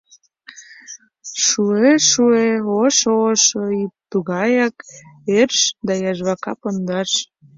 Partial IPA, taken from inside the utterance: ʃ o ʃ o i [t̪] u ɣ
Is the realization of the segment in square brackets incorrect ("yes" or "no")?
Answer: no